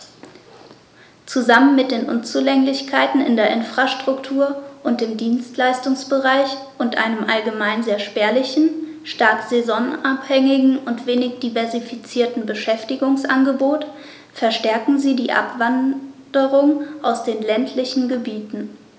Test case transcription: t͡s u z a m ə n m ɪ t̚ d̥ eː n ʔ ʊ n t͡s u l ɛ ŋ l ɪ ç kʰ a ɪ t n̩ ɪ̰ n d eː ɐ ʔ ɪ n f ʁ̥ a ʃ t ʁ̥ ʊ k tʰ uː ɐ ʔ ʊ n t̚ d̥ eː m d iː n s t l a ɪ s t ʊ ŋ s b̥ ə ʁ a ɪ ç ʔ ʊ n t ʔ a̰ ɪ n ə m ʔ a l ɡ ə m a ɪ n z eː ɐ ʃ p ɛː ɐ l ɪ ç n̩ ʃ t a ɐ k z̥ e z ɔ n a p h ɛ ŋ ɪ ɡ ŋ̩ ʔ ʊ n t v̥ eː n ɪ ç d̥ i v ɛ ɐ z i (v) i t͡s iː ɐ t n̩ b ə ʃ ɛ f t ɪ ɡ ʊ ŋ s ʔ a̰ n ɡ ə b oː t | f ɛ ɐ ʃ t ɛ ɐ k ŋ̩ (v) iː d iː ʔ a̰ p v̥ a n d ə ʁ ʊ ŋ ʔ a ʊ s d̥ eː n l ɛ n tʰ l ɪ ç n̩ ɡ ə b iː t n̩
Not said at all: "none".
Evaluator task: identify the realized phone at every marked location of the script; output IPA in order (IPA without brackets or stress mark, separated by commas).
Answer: f, z